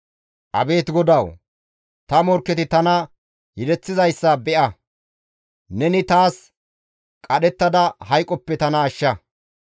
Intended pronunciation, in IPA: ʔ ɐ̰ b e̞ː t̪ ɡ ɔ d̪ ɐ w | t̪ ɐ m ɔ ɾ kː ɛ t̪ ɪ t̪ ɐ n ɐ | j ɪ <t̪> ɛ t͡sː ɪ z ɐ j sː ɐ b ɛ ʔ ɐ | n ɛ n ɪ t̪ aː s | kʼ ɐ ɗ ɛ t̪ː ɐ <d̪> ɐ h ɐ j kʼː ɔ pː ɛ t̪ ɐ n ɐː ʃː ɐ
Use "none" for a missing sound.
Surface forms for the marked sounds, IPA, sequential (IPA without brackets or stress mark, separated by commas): d̪, d̪